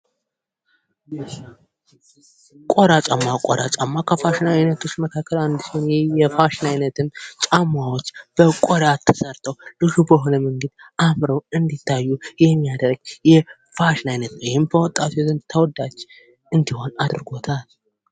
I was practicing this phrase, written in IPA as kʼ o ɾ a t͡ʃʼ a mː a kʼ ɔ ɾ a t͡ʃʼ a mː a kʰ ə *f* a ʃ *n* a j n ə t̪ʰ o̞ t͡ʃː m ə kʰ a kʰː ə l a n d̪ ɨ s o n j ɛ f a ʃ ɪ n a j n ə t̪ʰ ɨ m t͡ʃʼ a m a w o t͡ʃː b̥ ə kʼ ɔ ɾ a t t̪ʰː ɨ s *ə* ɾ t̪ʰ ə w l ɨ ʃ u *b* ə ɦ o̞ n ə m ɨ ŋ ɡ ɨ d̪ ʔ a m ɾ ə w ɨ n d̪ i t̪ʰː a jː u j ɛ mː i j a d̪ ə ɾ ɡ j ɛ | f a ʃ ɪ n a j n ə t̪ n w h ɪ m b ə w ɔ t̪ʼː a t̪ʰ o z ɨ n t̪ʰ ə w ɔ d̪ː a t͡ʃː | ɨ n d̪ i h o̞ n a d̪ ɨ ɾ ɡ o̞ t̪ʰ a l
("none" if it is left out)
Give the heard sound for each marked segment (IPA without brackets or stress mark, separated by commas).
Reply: f, n, ə, b